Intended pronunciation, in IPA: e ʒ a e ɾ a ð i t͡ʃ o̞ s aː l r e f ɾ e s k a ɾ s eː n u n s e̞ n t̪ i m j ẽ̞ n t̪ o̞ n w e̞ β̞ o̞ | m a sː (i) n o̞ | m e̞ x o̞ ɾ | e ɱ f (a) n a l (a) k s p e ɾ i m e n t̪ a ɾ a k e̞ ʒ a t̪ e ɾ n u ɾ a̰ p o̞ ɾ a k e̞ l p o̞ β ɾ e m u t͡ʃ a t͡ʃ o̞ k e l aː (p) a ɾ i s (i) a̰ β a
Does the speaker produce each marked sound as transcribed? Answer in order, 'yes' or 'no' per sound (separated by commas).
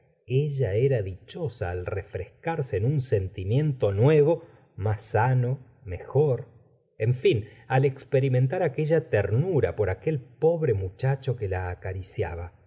no, no, no, no, no